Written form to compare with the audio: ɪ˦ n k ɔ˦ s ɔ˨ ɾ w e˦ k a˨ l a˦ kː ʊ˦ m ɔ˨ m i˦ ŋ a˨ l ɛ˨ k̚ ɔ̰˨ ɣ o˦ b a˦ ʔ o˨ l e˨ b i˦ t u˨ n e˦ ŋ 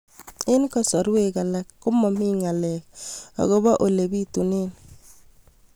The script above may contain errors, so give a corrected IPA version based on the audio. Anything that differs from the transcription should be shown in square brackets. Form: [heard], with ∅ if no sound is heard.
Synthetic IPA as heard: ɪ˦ n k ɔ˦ s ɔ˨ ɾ w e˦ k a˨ l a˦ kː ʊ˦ m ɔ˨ m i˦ ŋ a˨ l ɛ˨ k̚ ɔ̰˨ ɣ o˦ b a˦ ʔ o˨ l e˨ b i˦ t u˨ n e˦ [n]